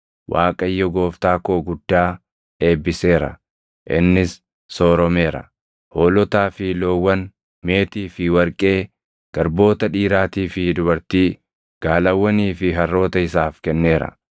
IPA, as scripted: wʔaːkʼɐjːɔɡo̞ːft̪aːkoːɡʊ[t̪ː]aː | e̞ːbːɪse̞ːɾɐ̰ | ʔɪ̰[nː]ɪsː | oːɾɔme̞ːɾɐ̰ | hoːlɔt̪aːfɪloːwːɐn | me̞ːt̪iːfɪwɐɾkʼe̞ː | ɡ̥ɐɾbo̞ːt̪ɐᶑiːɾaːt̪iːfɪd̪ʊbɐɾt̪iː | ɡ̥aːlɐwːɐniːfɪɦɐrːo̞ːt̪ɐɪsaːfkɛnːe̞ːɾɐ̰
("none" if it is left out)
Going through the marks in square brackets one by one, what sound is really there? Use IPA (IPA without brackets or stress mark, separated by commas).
d̪ː, nː